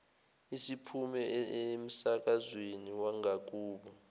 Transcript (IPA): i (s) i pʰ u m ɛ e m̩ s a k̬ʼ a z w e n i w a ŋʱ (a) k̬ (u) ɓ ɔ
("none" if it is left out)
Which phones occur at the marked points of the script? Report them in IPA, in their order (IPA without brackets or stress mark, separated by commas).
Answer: s, a, uː